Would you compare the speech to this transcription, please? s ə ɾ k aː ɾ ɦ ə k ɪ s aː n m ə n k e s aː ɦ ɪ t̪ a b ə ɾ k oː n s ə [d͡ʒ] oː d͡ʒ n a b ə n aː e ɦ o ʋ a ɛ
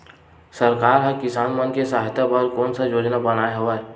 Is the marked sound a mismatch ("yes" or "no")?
no